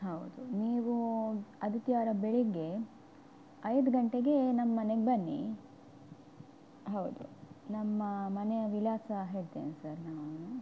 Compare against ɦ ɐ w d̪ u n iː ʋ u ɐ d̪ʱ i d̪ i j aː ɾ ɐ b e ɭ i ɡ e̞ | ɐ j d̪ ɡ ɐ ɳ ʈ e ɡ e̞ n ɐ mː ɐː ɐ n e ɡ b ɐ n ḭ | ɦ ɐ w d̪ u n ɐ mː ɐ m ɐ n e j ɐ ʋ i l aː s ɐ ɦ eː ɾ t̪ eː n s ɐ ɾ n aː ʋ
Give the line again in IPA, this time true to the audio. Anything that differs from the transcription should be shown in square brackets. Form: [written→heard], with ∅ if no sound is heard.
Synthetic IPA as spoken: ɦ ɐ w d̪ u n iː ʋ u ɐ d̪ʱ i [d̪→t̪] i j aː ɾ ɐ b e ɭ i ɡ e̞ | ɐ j d̪ ɡ ɐ ɳ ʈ e ɡ e̞ n ɐ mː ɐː ɐ n e ɡ b ɐ [n→nː] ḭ | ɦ ɐ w d̪ u n ɐ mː ɐ m ɐ n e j ɐ ʋ i l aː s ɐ ɦ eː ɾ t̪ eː n s ɐ ɾ n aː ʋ

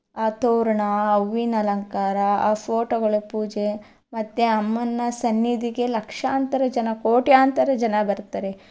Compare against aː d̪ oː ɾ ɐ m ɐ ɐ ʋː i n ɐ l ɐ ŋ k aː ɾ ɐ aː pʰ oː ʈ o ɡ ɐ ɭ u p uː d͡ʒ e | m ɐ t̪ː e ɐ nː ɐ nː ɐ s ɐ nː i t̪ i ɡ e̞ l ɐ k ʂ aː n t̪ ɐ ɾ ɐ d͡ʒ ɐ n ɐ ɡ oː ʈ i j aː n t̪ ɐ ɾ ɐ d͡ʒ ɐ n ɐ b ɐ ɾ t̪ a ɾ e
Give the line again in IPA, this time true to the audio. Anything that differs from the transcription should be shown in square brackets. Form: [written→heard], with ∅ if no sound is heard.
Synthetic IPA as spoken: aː [d̪→t̪] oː ɾ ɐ [m→ɳ] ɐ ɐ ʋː i n ɐ l ɐ ŋ k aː ɾ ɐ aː pʰ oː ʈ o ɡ ɐ ɭ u p uː d͡ʒ e | m ɐ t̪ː e ɐ [nː→mː] ɐ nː ɐ s ɐ nː i [t̪→d̪] i ɡ e̞ l ɐ k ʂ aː n t̪ ɐ ɾ ɐ d͡ʒ ɐ n ɐ [ɡ→k] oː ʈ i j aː n t̪ ɐ ɾ ɐ d͡ʒ ɐ n ɐ b ɐ ɾ t̪ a ɾ e

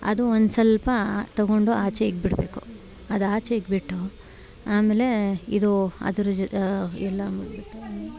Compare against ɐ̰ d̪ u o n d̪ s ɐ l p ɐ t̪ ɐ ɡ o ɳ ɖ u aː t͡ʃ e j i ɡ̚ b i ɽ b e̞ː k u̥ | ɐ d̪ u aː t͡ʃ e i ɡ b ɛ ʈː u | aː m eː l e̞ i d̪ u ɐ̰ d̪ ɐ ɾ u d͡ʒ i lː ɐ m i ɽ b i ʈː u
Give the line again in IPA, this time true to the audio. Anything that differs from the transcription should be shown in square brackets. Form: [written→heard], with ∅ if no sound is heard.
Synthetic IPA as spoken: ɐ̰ d̪ u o n d̪ s ɐ l p ɐ t̪ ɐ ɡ o ɳ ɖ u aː t͡ʃ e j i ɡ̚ b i ɽ b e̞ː k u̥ | ɐ d̪ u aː t͡ʃ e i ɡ b [ɛ→i] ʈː u | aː m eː l e̞ i d̪ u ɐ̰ d̪ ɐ ɾ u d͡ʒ [i→ɛ] lː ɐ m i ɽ b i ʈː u

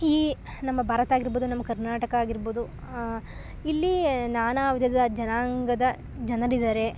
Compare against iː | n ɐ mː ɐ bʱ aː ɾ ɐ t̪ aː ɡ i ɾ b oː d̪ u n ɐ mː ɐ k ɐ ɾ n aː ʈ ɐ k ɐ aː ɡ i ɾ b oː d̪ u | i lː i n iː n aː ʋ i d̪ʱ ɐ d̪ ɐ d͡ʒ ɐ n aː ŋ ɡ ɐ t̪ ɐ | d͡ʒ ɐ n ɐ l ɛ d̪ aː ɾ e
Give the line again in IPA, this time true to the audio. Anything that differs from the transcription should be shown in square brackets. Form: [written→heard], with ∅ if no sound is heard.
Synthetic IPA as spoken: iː | n ɐ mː ɐ bʱ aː ɾ ɐ t̪ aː ɡ i ɾ b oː d̪ u n ɐ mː ɐ k ɐ ɾ n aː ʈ ɐ k ɐ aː ɡ i ɾ b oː d̪ u | i lː i n [iː→aː] n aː ʋ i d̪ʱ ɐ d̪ ɐ d͡ʒ ɐ n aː ŋ ɡ ɐ [t̪→d̪] ɐ | d͡ʒ ɐ n ɐ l [ɛ→i] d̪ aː ɾ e

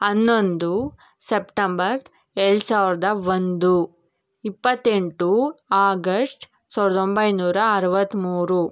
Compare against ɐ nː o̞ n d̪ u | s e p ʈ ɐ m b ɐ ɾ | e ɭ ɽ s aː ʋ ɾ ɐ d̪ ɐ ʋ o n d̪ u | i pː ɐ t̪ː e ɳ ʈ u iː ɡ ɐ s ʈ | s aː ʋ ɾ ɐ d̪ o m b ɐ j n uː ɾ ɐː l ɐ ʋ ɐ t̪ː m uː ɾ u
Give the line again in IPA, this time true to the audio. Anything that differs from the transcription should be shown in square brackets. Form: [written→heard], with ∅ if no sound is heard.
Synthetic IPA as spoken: ɐ nː o̞ n d̪ u | s e p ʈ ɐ m b ɐ ɾ | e ɭ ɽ s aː ʋ ɾ ɐ d̪ ɐ ʋ o n d̪ u | i pː ɐ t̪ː e ɳ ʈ u [iː→aː] ɡ ɐ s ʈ | s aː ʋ ɾ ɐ d̪ o m b ɐ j n uː ɾ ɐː [l→ɾ] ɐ ʋ ɐ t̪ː m uː ɾ u

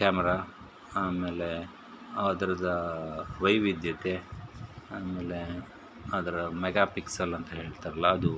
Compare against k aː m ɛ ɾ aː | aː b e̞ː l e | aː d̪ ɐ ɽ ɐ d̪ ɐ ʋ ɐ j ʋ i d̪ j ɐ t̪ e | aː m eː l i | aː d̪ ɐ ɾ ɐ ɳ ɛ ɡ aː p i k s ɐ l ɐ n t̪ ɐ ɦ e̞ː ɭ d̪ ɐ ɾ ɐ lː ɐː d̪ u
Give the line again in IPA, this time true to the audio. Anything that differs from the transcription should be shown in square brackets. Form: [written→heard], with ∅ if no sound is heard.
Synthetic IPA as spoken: k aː m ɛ ɾ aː | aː [b→m] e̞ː l e | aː d̪ ɐ [ɽ→ɾ] ɐ d̪ ɐ ʋ ɐ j ʋ i d̪ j ɐ t̪ e | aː m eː l [i→e] | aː d̪ ɐ ɾ ɐ [ɳ→m] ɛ ɡ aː p i k s ɐ l ɐ n t̪ ɐ ɦ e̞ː ɭ [d̪→t̪] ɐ ɾ ɐ lː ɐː d̪ u

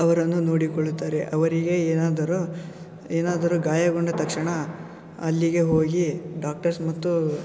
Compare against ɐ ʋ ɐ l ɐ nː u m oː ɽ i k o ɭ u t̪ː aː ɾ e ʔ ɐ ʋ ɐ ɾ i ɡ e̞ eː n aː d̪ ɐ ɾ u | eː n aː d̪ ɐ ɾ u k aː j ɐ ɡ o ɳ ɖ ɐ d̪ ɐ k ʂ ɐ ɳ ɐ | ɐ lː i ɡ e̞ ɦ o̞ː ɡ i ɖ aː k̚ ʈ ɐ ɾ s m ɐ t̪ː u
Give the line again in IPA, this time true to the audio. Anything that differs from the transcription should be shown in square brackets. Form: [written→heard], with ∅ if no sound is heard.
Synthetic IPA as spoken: ɐ ʋ ɐ [l→ɾ] ɐ nː u [m→n] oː ɽ i k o ɭ u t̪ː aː ɾ e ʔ ɐ ʋ ɐ ɾ i ɡ e̞ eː n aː d̪ ɐ ɾ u | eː n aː d̪ ɐ ɾ u [k→ɡ] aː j ɐ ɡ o ɳ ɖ ɐ [d̪→t̪] ɐ k ʂ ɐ ɳ ɐ | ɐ lː i ɡ e̞ ɦ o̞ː ɡ i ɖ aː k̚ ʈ ɐ ɾ s m ɐ t̪ː u

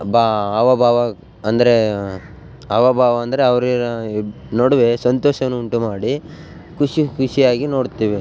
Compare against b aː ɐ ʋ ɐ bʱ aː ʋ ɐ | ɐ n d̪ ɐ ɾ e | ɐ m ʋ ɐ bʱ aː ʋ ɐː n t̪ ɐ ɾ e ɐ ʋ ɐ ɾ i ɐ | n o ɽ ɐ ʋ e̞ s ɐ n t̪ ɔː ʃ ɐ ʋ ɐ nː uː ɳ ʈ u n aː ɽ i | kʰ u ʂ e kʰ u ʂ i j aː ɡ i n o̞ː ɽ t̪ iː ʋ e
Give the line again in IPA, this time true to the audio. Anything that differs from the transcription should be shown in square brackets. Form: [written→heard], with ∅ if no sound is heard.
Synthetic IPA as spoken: b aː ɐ ʋ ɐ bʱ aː ʋ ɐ | ɐ n d̪ ɐ ɾ e | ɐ [m→∅] ʋ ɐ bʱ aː ʋ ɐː n [t̪→d̪] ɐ ɾ e ɐ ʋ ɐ ɾ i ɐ | n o ɽ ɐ ʋ e̞ s ɐ n t̪ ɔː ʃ ɐ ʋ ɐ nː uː ɳ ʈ u [n→m] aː ɽ i | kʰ u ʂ [e→i] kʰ u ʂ i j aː ɡ i n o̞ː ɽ t̪ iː ʋ e

